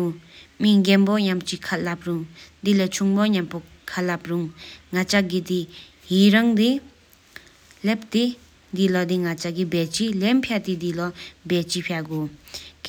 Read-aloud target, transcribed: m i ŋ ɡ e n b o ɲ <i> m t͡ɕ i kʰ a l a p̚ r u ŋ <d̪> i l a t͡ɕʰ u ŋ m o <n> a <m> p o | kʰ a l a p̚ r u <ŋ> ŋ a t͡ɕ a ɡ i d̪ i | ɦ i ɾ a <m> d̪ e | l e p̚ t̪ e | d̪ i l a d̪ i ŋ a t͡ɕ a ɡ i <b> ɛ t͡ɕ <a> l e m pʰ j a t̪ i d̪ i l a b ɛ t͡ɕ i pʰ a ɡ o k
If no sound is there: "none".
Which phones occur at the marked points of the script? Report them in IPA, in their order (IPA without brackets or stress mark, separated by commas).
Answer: a, d̪, ɲ, m, ŋ, ŋ, b, i